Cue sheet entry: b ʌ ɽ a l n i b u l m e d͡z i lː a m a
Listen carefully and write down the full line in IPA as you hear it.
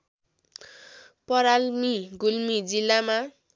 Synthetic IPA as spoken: p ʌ ɾ a l m i ɡ u l m i d͡z i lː a m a